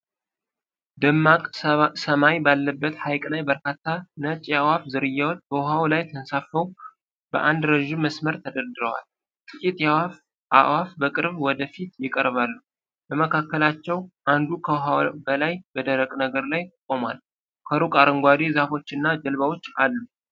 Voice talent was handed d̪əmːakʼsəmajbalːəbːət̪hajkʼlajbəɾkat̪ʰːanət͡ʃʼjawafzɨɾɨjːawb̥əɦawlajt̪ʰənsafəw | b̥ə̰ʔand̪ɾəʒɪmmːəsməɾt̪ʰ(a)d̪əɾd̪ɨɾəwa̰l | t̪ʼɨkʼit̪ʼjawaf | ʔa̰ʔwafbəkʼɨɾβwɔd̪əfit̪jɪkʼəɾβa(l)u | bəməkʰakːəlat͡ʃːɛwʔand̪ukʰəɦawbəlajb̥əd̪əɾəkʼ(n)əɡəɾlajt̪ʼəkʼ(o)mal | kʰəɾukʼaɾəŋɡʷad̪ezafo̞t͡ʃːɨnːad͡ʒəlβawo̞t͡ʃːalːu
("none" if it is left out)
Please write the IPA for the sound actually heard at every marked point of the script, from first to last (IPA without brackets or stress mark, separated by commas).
ə, lː, n, o